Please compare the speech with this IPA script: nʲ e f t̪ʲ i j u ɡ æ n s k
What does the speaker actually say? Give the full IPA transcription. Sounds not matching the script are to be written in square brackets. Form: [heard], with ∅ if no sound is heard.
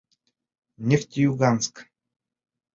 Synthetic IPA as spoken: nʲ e f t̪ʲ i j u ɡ [a] n s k